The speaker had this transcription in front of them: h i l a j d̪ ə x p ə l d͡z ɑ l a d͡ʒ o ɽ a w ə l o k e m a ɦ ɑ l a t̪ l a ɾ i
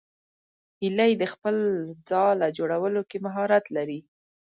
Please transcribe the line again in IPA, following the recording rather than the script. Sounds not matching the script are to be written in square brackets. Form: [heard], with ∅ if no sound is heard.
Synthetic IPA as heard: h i l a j d̪ ə x p ə l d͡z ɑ l a d͡ʒ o ɽ a w ə l o k e m a ɦ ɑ [ɾ] a t̪ l a ɾ i